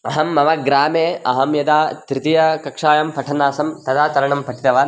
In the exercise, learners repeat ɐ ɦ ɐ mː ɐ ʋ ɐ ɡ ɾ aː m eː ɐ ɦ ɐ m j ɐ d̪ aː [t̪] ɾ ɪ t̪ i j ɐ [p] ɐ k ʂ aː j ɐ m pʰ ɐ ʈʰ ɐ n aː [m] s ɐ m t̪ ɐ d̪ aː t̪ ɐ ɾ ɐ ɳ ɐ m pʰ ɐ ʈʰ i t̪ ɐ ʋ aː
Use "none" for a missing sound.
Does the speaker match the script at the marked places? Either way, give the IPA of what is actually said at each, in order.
t̪, k, none

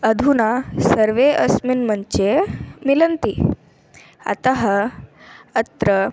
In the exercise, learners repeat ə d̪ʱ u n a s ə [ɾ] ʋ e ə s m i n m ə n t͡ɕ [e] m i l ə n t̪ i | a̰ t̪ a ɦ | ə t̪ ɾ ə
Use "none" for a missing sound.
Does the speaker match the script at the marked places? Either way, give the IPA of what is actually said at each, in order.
ɾ, e

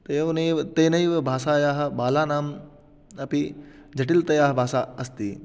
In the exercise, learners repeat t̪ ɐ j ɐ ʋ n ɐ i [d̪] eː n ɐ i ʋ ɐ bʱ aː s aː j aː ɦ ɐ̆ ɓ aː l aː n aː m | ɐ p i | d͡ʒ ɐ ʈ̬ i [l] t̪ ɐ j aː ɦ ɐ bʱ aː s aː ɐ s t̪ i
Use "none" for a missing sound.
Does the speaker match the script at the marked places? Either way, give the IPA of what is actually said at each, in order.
t̪, l

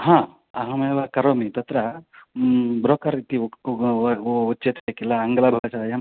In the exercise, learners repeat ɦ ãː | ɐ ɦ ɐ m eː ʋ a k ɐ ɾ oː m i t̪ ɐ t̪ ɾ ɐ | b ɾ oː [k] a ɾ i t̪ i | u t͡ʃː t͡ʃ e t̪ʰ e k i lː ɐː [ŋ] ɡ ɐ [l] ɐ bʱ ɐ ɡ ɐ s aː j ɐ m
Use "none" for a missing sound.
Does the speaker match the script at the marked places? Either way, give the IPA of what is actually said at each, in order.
k, ŋ, l

